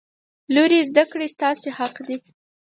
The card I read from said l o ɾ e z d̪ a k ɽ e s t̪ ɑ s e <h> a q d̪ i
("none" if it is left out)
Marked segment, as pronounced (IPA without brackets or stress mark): h